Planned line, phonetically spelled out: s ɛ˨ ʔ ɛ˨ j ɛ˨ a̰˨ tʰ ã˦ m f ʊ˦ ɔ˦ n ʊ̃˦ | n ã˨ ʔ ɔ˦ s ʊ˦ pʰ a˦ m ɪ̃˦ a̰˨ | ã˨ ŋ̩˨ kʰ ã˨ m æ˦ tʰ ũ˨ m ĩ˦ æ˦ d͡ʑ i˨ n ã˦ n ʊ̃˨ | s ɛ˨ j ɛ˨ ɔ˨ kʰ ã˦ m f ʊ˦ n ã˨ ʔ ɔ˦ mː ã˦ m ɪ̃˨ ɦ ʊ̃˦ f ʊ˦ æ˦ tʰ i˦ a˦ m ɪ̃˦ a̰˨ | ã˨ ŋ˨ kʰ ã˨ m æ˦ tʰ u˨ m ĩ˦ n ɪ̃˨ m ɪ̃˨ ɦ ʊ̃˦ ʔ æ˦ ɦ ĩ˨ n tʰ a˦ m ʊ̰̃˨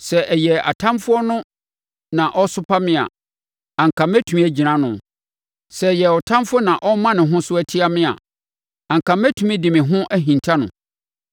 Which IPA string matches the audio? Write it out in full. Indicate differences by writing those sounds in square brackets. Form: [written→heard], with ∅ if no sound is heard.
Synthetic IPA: s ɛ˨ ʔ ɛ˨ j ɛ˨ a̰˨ tʰ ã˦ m f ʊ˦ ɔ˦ n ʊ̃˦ | n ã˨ ʔ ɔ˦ s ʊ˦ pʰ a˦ m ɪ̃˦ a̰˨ | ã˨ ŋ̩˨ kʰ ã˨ m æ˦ tʰ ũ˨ m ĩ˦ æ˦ d͡ʑ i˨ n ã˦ n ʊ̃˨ | s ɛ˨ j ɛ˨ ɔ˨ [kʰ→tʰ] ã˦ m f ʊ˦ n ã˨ ʔ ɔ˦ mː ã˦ [m→n] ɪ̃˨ ɦ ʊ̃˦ [f→s] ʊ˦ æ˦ tʰ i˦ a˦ m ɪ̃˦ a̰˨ | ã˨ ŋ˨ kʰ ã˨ m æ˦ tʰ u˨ m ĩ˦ [n→d] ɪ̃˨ m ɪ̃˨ ɦ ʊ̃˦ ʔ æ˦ ɦ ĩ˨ n tʰ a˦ [m→n] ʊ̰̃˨